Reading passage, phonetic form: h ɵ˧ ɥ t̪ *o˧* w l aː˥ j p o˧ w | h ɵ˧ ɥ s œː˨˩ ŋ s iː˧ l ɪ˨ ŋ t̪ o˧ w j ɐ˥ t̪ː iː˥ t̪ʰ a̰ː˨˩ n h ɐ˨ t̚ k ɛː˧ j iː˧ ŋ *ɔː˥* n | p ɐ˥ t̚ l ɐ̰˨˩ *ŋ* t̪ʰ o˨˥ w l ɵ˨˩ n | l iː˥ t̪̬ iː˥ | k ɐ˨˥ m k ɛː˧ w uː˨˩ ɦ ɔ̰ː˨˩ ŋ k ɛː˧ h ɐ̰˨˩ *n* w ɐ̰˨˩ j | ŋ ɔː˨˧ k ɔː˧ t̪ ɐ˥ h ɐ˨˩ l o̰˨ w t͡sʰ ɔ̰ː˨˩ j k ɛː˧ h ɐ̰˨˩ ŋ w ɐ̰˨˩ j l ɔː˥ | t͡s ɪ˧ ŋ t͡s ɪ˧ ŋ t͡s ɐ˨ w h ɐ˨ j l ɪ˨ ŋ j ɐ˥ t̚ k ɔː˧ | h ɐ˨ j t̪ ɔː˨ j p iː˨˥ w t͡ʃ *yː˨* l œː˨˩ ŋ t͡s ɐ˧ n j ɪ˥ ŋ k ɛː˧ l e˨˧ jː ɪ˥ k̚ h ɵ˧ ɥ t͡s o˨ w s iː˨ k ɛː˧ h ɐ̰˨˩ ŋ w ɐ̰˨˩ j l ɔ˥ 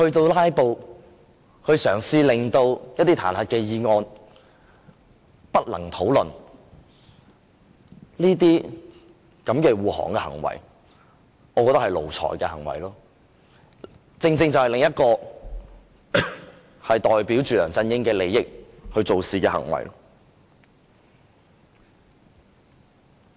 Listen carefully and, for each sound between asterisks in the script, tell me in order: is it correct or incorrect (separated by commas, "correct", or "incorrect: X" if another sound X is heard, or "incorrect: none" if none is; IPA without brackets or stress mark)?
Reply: correct, incorrect: ɔː˧, correct, incorrect: ŋ, correct